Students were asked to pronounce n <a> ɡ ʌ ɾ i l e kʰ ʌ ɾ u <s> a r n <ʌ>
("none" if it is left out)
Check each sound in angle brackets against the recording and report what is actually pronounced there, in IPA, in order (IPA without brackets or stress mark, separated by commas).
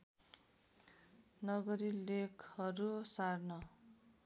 ʌ, s, ʌ